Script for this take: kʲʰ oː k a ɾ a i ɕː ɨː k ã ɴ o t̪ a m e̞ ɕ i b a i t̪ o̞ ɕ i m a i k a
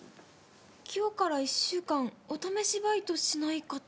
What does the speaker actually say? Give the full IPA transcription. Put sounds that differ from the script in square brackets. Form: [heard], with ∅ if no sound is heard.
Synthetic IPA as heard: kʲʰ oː k a ɾ a i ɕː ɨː k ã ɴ o t̪ a m e̞ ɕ i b a i t̪ o̞ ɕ i [n] a i k a